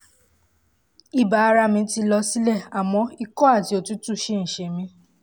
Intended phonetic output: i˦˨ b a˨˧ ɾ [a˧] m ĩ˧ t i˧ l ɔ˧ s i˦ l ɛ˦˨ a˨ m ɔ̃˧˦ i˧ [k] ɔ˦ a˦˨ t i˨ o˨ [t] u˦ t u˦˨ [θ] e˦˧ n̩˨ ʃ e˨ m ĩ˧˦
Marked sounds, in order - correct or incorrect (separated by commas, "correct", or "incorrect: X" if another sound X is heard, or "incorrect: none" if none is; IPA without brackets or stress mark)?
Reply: correct, correct, correct, incorrect: ʃ